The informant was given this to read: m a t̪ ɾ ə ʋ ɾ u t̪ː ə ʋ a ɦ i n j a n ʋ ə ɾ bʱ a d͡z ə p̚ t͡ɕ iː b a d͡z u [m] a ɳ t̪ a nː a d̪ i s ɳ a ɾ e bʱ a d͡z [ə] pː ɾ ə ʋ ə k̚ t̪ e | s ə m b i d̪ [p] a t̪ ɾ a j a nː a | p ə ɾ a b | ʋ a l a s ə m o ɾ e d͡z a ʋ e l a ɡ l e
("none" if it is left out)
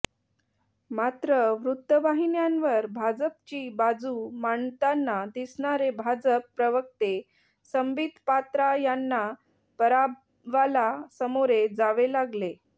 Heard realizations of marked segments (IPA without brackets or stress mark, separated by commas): m, ə, p